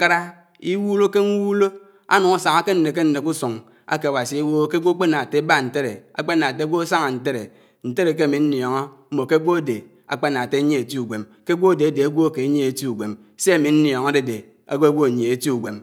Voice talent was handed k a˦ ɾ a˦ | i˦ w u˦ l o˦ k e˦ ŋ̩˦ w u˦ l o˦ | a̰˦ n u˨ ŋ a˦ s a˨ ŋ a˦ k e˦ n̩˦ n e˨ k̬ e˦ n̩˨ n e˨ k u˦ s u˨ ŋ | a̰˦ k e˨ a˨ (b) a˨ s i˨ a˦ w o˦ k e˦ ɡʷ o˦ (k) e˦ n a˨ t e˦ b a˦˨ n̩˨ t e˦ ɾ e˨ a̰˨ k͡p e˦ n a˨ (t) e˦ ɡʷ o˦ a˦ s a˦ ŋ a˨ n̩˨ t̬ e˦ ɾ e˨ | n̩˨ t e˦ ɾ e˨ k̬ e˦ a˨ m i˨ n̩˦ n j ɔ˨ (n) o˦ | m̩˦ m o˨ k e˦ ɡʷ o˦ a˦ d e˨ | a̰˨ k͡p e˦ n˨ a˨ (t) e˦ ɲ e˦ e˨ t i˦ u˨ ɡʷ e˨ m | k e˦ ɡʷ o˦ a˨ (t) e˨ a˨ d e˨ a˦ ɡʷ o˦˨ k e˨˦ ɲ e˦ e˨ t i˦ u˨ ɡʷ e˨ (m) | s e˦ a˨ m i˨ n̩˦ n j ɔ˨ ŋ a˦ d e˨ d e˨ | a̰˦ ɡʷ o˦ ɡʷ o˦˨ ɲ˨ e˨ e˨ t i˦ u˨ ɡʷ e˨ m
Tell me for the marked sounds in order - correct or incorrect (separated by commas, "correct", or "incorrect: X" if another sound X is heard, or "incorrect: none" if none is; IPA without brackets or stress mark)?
incorrect: w, incorrect: k͡p, correct, incorrect: ŋ, correct, incorrect: d, correct